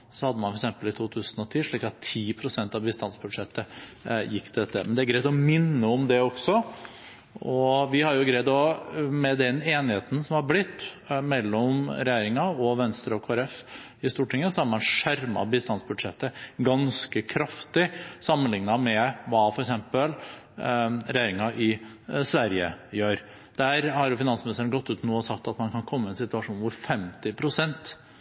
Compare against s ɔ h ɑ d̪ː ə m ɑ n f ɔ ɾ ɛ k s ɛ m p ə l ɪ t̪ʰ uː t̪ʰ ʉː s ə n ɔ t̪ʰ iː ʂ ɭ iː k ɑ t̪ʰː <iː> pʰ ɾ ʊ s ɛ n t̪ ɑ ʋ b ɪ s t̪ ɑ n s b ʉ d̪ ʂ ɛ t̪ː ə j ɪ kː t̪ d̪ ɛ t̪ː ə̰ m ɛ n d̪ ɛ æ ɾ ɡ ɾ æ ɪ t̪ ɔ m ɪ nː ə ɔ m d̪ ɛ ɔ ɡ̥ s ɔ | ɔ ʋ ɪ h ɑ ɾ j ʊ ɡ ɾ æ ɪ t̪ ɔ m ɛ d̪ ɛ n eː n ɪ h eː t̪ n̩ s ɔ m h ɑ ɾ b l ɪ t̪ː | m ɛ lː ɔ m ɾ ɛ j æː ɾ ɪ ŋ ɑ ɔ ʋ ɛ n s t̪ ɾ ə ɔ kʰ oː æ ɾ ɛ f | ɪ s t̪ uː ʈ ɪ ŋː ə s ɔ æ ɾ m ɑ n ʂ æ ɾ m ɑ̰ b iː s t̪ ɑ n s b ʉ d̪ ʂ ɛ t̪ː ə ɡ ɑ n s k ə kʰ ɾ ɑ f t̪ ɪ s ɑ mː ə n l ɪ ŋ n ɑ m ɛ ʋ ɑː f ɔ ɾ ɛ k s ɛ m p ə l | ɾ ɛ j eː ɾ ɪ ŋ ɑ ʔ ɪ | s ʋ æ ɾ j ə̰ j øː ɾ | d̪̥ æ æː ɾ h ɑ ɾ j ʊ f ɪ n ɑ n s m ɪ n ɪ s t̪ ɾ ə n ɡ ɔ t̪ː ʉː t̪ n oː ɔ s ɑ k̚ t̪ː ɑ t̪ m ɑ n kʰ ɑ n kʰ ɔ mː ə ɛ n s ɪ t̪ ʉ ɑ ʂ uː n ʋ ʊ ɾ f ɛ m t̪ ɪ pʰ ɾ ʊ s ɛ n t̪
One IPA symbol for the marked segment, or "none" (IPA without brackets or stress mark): iː